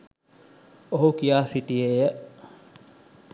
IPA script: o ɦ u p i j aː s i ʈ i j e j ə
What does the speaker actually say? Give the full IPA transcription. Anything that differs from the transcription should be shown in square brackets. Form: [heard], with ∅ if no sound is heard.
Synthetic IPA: o ɦ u [k] i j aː s i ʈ i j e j ə